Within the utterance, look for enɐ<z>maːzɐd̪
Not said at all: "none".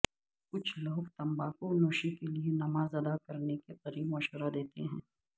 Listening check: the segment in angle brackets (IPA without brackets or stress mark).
none